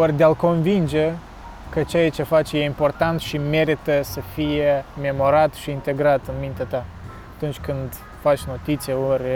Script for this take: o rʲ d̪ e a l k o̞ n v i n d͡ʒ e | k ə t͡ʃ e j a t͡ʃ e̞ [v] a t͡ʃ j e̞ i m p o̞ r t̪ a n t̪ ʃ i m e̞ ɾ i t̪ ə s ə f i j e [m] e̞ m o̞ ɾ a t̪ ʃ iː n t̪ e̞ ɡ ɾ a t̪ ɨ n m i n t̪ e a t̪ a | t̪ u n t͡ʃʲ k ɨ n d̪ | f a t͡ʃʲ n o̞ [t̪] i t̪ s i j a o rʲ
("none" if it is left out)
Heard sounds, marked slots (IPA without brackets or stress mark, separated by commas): f, m, t̪